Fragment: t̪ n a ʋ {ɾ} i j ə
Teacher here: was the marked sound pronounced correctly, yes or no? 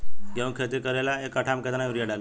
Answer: yes